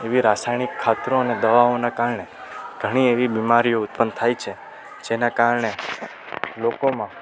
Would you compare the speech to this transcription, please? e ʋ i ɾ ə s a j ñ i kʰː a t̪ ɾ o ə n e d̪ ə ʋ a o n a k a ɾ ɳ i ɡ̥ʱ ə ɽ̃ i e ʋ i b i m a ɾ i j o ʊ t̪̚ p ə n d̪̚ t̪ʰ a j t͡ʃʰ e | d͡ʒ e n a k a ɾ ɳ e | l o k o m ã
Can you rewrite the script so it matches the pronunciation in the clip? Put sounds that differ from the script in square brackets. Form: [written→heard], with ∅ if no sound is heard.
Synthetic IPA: e ʋ i ɾ [ə→a] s a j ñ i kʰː a t̪ ɾ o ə n e d̪ ə ʋ a o n a k a ɾ ɳ [i→e] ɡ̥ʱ ə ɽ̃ i e ʋ i b i m a ɾ i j o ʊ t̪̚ p ə n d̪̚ t̪ʰ a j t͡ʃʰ e | d͡ʒ e n a k a ɾ ɳ e | l o k o m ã